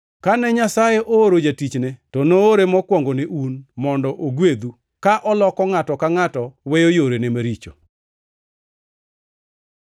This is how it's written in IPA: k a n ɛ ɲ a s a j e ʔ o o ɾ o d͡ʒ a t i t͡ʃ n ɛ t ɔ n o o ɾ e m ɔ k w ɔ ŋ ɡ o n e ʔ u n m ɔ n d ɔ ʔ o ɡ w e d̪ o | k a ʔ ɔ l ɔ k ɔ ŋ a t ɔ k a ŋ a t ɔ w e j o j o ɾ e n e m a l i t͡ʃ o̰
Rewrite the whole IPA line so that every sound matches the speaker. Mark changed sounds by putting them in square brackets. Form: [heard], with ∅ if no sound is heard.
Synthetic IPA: k a n ɛ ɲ a s a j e ʔ o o ɾ o d͡ʒ a t i t͡ʃ n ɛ t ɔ n o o ɾ e m ɔ k w ɔ ŋ ɡ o n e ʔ u n m ɔ n d ɔ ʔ o ɡ w e d̪ [u] | k a ʔ ɔ l ɔ k ɔ ŋ a t ɔ k a ŋ a t ɔ w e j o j o ɾ e n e m a [ɾ] i t͡ʃ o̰